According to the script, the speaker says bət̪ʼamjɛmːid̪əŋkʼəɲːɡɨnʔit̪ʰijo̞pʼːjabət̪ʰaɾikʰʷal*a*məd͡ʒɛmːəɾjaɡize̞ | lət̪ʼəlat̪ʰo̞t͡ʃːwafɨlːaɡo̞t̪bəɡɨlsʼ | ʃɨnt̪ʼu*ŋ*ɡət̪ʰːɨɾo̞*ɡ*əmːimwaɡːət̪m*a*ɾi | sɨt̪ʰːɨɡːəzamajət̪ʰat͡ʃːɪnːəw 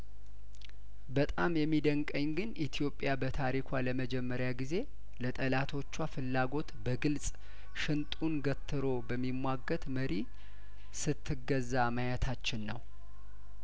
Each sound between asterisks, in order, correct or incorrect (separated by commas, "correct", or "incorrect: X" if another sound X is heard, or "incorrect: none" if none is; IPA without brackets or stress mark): incorrect: ə, incorrect: n, incorrect: b, incorrect: ə